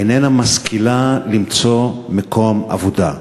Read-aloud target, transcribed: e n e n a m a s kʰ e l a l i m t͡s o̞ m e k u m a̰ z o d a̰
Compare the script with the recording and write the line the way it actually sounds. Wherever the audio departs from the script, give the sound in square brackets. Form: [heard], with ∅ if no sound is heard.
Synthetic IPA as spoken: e n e n a m a s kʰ [i] l a l i m t͡s o̞ m e k [o] m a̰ [v] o d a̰